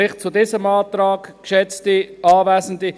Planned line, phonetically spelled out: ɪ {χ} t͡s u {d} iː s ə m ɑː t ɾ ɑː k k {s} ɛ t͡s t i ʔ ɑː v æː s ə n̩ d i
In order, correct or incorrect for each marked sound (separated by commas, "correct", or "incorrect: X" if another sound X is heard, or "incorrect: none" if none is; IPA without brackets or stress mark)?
correct, correct, incorrect: ʃ